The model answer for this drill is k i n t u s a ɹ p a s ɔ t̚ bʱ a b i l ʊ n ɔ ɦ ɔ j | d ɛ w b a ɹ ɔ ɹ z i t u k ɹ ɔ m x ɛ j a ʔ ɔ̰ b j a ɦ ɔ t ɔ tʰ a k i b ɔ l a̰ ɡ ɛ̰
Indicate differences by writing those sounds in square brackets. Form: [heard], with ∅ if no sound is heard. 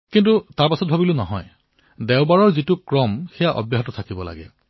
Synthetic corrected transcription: k i n t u [t] a ɹ p a s ɔ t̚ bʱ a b i l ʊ n ɔ ɦ ɔ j | d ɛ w b a ɹ ɔ ɹ z i t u k ɹ ɔ m x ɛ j a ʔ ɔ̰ b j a ɦ ɔ t ɔ tʰ a k i b ɔ l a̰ ɡ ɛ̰